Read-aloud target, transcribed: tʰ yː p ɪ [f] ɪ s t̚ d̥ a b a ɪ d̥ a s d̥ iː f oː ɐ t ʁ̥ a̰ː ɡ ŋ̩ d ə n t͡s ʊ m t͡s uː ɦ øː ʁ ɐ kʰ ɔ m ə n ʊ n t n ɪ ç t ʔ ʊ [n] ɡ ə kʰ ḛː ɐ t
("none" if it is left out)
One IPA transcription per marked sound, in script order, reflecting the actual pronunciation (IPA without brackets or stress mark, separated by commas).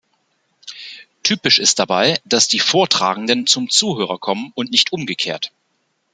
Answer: ʃ, m